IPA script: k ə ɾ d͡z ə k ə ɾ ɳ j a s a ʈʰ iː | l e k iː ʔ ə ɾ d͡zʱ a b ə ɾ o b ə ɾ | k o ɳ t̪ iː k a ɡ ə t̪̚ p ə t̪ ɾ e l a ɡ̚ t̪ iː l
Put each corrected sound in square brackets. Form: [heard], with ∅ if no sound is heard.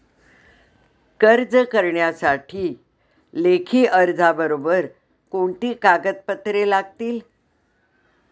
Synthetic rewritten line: k ə ɾ d͡z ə k ə ɾ ɳ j a s a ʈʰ iː | l e [kʰ] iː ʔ ə ɾ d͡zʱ a b ə ɾ o b ə ɾ | k o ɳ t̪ iː k a ɡ ə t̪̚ p ə t̪ ɾ e l a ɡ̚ t̪ iː l

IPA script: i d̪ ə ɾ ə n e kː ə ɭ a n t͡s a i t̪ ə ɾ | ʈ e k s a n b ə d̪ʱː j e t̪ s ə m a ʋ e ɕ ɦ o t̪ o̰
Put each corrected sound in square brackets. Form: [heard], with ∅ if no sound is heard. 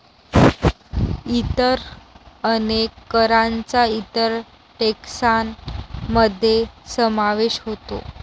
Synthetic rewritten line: i [t̪] ə ɾ ə n e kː ə [ɾ] a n t͡s a i t̪ ə ɾ | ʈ e k s a n [m] ə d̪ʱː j e [∅] s ə m a ʋ e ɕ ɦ o t̪ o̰

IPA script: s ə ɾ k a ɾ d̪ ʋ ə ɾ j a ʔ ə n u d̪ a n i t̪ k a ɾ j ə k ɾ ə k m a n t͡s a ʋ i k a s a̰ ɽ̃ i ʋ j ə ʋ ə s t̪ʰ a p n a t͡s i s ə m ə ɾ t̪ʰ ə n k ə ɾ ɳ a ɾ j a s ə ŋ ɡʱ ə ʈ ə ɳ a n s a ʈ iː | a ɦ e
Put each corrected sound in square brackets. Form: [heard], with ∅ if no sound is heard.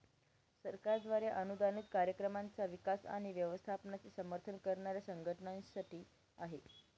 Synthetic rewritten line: s ə ɾ k a ɾ d̪ ʋ [a] ɾ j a ʔ ə n u d̪ a n i t̪ k a ɾ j ə k ɾ ə [∅] m a n t͡s a ʋ i k a s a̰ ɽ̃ i ʋ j ə ʋ ə s t̪ʰ a p n a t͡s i s ə m ə ɾ t̪ʰ ə n k ə ɾ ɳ a ɾ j a s ə ŋ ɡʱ ə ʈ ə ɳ a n s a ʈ iː | a ɦ e

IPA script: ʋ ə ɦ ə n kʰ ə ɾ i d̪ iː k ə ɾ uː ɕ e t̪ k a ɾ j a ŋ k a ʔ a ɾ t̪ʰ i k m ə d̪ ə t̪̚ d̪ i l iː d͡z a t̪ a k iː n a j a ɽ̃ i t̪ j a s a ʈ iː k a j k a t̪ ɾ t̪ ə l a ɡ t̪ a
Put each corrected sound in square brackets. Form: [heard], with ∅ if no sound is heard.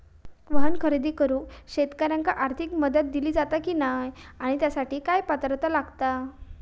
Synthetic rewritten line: ʋ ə ɦ ə n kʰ ə ɾ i d̪ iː k ə ɾ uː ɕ e t̪ k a ɾ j a ŋ k a ʔ a ɾ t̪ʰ i k m ə d̪ ə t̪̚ d̪ i l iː d͡z a t̪ a k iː n a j a ɽ̃ i t̪ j a s a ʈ iː k a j [p] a t̪ ɾ t̪ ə l a ɡ t̪ a

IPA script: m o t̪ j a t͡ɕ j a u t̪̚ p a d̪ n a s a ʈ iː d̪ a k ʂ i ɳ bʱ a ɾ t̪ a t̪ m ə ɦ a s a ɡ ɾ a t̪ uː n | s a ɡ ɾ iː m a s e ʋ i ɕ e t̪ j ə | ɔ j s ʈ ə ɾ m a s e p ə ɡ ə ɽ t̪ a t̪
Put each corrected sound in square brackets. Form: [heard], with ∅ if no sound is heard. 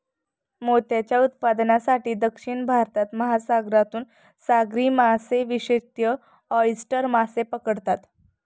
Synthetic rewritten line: m o t̪ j a t͡ɕ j a u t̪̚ p a d̪ n a s a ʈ iː d̪ [ə] k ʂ i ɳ bʱ a ɾ t̪ a t̪ m ə ɦ a s a ɡ ɾ a t̪ uː n | s a ɡ ɾ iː m a s e ʋ i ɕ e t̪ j ə | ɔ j s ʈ ə ɾ m a s e p ə [k] ə ɽ t̪ a t̪

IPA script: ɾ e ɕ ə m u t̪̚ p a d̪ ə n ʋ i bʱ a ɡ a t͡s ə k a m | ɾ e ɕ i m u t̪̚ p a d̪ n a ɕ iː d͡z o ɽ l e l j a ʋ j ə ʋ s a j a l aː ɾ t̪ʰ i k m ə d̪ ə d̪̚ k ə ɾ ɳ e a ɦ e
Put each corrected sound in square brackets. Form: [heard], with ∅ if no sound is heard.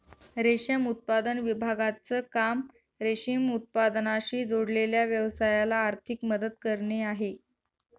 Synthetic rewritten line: ɾ e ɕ ə m u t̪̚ p a d̪ ə n ʋ i bʱ a ɡ a t͡s ə k a m | ɾ e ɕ i m u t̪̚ p a d̪ n a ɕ iː d͡z o ɽ l e l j a ʋ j ə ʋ s a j a l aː ɾ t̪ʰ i k m ə d̪ ə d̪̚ k ə ɾ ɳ e a ɦ e

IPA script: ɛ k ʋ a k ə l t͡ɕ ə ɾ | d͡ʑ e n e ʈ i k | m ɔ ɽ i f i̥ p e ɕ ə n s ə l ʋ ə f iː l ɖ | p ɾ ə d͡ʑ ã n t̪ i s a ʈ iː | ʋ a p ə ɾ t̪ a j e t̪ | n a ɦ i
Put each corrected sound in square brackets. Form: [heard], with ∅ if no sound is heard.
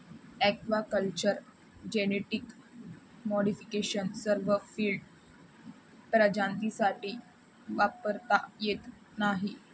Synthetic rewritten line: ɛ k ʋ a k ə l t͡ɕ ə ɾ | d͡ʑ e n e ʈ i k | m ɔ ɽ i f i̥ [k] e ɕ ə n s ə [ɾ] ʋ ə f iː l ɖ | p ɾ ə d͡ʑ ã n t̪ i s a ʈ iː | ʋ a p ə ɾ t̪ a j e t̪ | n a ɦ i

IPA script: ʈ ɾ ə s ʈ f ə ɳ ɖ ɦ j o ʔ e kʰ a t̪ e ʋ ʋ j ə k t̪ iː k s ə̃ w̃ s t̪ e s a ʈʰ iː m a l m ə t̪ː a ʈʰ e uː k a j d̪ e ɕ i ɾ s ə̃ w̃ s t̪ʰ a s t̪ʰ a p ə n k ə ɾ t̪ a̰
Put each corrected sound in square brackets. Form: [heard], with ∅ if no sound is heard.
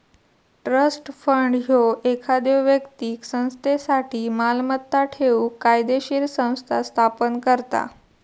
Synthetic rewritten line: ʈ ɾ ə s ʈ f ə ɳ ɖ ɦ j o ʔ e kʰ a [d̪] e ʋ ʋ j ə k t̪ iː k s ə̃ w̃ s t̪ e s a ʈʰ iː m a l m ə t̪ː a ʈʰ e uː k a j d̪ e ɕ i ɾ s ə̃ w̃ s t̪ʰ a s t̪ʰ a p ə n k ə ɾ t̪ a̰

